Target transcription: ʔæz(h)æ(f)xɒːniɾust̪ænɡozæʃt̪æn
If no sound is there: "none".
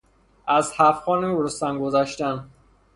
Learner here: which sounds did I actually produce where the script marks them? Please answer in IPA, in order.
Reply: h, f

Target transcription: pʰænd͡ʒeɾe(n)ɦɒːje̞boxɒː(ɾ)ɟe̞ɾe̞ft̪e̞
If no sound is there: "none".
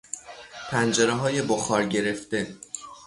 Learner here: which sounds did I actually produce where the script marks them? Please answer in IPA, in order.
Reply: none, ɾ

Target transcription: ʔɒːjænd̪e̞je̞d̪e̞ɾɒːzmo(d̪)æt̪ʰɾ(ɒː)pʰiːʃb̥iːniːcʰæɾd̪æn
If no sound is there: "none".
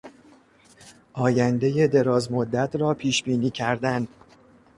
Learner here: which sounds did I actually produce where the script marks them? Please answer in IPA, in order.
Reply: d̪ː, ɒː

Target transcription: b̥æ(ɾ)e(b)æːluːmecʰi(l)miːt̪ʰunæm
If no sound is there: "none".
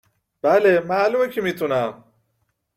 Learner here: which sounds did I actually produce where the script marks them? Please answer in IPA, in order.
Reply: l, m, none

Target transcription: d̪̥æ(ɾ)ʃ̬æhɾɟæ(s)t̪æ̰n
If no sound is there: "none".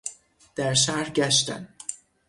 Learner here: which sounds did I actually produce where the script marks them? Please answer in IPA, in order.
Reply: ɾ, ʃ

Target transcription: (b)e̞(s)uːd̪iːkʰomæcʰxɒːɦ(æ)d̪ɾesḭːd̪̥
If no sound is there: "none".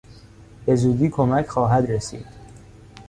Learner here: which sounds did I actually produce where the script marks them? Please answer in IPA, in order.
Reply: b, z, æ

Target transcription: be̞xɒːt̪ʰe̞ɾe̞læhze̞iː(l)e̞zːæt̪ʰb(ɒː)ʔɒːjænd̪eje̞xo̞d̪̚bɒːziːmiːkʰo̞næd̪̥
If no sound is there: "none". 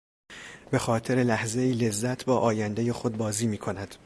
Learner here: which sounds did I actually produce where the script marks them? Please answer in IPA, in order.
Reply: l, ɒː

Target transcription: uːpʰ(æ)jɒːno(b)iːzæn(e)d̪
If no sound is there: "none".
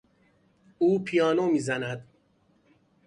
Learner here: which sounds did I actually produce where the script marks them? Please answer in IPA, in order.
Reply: i, m, æ

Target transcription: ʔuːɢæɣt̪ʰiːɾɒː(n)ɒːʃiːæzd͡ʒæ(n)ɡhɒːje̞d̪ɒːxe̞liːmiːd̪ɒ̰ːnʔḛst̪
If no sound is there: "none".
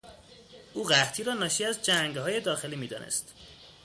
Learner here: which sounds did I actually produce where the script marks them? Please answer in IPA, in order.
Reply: n, ŋ

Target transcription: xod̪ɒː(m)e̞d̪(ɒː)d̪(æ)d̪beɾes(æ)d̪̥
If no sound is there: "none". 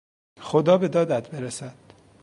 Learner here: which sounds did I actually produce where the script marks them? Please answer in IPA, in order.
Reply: b, ɒː, æ, æ

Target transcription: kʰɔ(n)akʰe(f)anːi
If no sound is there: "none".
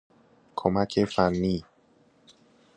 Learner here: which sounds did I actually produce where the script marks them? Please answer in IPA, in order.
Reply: m, f

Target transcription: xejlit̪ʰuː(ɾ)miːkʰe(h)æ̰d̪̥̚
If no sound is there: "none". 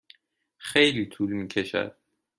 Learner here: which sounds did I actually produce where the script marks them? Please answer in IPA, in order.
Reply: l, ʃ

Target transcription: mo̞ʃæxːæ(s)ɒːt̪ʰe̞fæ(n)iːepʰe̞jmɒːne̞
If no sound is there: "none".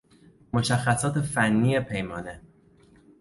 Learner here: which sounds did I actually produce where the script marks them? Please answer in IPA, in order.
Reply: s, nː

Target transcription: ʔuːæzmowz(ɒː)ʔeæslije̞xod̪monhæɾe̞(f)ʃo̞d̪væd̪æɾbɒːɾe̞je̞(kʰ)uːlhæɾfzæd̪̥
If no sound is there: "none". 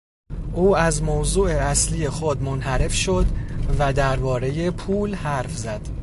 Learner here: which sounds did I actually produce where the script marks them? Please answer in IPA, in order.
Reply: uː, f, pʰ

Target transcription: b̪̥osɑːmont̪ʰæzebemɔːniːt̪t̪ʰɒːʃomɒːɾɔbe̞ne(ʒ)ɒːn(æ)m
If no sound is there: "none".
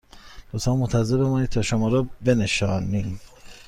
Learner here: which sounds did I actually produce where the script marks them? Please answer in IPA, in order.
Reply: ʃ, i

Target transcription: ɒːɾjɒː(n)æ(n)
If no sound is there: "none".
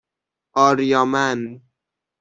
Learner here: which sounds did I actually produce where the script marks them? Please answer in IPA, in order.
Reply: m, n

